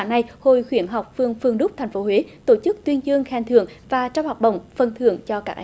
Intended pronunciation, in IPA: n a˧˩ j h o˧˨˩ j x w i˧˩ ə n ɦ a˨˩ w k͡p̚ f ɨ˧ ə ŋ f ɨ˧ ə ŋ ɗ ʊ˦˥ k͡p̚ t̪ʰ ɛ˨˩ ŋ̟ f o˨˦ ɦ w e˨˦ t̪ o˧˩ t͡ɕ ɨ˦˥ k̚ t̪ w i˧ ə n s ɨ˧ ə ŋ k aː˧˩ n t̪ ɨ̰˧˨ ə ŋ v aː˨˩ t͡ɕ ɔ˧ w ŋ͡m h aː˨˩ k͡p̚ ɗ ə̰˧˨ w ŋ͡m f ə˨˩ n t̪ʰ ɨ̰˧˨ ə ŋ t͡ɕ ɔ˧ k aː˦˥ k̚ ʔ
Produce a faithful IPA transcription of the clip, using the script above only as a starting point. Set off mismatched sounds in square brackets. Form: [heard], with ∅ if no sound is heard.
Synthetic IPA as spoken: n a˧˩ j h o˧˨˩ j x w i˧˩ ə n ɦ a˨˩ w k͡p̚ f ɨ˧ ə ŋ f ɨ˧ ə ŋ ɗ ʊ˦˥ k͡p̚ t̪ʰ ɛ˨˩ ŋ̟ f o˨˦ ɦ w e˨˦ t̪ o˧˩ t͡ɕ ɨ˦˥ k̚ t̪ w i˧ ə n [z] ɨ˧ ə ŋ [x] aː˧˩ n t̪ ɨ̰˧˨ ə ŋ v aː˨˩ t͡ɕ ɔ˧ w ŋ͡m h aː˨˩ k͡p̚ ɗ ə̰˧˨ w ŋ͡m f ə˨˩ n t̪ʰ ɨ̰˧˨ ə ŋ t͡ɕ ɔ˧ k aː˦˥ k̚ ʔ